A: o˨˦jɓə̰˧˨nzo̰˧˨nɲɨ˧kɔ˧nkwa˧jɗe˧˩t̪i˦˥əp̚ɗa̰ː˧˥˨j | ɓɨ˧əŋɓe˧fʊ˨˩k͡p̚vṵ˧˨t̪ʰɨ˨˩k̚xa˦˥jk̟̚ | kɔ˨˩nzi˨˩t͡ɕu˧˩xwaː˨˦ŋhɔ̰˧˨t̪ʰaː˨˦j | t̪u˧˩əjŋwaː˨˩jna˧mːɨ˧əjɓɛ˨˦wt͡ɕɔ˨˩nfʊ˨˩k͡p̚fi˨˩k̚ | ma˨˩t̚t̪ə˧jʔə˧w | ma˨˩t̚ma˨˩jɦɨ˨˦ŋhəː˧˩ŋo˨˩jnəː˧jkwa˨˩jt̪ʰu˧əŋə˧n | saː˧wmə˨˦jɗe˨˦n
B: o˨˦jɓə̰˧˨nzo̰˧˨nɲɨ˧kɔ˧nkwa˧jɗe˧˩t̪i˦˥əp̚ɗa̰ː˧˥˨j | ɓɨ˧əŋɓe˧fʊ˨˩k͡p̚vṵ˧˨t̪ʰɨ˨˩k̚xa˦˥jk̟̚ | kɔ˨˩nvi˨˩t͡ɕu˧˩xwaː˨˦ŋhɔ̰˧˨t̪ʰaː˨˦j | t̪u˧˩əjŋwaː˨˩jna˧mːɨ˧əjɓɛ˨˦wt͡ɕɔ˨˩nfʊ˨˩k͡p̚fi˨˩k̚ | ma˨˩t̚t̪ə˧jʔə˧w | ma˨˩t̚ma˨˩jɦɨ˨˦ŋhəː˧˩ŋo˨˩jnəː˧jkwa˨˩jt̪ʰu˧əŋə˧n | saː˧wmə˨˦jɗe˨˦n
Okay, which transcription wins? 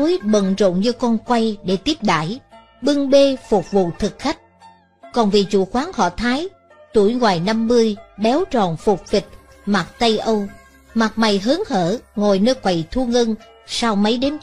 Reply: B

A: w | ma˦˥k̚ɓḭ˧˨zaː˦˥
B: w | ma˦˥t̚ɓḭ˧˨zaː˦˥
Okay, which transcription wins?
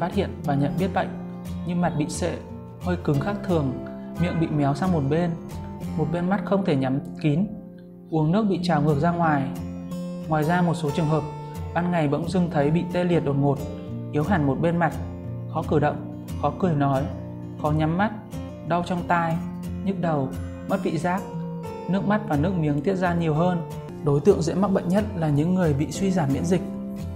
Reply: B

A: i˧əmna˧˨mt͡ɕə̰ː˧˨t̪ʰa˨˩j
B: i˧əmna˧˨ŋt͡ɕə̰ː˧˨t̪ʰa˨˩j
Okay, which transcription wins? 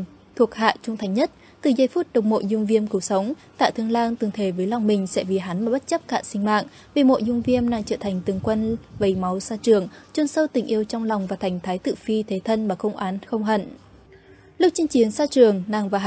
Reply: B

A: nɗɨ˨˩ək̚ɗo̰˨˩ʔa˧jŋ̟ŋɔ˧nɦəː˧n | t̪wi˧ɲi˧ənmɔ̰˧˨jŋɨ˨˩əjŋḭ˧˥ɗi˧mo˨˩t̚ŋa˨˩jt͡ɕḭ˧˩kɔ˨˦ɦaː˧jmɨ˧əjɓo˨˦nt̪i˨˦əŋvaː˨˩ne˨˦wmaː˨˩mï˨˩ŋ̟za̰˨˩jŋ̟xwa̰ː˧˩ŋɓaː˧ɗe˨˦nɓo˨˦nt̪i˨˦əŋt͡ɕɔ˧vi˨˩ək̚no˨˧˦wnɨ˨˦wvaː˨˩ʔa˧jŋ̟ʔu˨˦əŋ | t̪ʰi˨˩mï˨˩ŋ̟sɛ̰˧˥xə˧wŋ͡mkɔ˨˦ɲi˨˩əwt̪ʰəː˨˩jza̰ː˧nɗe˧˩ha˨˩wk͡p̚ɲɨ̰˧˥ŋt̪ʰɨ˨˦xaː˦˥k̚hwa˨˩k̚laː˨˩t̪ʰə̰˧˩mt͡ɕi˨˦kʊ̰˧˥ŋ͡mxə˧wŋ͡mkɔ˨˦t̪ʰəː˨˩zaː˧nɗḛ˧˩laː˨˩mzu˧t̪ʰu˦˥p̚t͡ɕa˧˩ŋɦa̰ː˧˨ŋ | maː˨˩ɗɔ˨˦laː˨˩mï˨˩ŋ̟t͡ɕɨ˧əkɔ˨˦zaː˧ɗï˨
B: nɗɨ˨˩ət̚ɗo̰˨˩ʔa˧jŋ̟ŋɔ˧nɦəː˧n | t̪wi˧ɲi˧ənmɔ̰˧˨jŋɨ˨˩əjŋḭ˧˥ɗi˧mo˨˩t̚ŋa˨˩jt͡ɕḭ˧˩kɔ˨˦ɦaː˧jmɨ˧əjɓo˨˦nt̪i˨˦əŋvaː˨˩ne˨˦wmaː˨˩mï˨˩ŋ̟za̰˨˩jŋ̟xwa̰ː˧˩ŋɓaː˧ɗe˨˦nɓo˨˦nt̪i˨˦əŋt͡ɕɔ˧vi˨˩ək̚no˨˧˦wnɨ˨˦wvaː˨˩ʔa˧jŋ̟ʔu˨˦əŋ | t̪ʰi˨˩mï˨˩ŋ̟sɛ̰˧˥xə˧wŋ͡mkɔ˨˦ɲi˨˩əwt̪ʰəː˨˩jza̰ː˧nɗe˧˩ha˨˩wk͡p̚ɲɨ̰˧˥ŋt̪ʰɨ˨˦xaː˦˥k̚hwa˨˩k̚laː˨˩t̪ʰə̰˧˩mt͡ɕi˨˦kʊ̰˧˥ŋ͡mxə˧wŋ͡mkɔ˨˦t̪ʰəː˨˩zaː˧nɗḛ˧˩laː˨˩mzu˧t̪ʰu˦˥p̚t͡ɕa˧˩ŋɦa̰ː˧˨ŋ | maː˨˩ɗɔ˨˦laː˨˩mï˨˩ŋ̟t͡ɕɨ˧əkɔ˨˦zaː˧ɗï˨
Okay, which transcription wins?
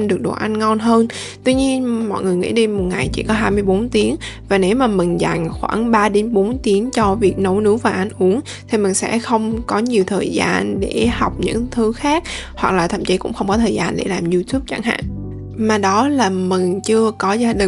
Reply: A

